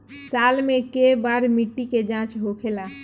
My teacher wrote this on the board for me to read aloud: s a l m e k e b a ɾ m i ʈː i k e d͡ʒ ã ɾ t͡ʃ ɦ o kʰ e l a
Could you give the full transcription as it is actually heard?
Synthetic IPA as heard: s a l m e k e b a ɾ m i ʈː i k e d͡ʒ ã t͡ʃ ɦ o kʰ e l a